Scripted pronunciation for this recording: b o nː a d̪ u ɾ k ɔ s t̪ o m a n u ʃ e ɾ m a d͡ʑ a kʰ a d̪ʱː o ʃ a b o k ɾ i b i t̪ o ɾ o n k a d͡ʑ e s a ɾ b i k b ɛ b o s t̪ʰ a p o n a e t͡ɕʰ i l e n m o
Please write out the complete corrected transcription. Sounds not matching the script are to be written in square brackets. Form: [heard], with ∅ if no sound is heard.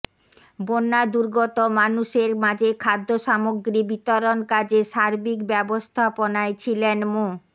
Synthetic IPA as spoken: b o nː a d̪ u ɾ [ɡ] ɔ [∅] t̪ o m a n u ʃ e ɾ m a d͡ʑ [e] kʰ a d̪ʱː o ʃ a [m] o [ɡ] ɾ i b i t̪ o ɾ o n k a d͡ʑ e [ʃ] a ɾ b i k b ɛ b o s t̪ʰ a p o n a e t͡ɕʰ i l e n m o

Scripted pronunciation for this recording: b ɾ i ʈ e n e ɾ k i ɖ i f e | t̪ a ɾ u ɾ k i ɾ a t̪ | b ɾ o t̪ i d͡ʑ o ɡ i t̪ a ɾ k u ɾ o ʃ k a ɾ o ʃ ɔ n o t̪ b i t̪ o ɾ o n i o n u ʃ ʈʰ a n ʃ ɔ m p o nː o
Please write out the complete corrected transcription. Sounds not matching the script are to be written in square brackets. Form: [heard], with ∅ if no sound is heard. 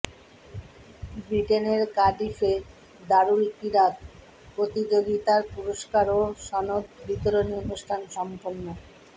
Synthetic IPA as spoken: b ɾ i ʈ e n e ɾ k [a] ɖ i f e | [d̪] a ɾ u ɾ k i ɾ a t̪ | [p] ɾ o t̪ i d͡ʑ o ɡ i t̪ a ɾ [p] u ɾ o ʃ k a ɾ o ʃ ɔ n o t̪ b i t̪ o ɾ o n i o n u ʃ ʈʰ a n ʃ ɔ m p o nː o

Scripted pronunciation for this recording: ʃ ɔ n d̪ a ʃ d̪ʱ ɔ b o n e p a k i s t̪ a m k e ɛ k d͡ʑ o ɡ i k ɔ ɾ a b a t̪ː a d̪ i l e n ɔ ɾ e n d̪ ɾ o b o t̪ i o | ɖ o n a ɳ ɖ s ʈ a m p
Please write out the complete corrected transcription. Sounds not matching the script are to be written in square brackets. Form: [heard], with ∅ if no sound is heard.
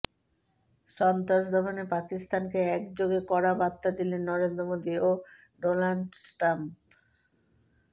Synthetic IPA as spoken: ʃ ɔ n [t̪] a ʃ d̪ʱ ɔ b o n e p a k i s t̪ a [n] k e ɛ k d͡ʑ o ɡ [e] k ɔ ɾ a b a t̪ː a d̪ i l e [nː] ɔ ɾ e n d̪ ɾ o [m] o [d̪] i o | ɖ o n a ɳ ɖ s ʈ a m p

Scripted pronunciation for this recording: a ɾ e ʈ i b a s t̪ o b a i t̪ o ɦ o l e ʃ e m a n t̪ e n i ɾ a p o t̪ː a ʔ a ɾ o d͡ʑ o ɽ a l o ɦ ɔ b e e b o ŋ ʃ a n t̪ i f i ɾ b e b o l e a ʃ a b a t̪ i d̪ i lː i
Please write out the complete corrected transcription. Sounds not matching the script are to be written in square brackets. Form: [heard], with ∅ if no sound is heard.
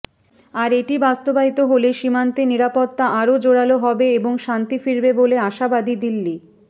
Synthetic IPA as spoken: a ɾ e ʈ i b a s t̪ o b a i t̪ o ɦ o l e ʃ [i] m a n t̪ e n i ɾ a p o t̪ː a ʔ a ɾ o d͡ʑ o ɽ a l o ɦ ɔ b e e b o ŋ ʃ a n t̪ i f i ɾ b e b o l e a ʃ a b a [d̪] i d̪ i lː i

